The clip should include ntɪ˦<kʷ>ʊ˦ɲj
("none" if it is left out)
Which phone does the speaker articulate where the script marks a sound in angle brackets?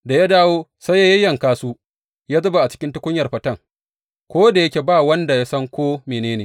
kʷ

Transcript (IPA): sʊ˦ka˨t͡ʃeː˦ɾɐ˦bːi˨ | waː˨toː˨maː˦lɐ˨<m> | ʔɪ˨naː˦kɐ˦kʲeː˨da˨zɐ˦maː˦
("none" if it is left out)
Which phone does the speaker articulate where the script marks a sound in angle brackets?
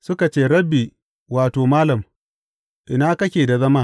m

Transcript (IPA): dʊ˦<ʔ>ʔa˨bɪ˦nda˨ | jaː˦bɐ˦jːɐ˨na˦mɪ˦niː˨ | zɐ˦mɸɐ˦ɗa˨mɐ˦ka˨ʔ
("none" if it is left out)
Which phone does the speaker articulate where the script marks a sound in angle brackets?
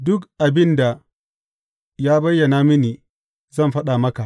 k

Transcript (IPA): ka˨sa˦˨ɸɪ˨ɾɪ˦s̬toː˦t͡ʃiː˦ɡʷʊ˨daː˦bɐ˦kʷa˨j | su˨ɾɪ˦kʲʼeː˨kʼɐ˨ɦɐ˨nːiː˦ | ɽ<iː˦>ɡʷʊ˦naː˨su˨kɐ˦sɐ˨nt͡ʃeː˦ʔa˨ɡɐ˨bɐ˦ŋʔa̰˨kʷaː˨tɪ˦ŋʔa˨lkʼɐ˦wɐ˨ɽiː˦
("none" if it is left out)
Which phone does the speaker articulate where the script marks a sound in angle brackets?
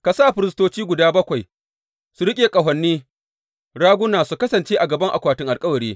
aː˦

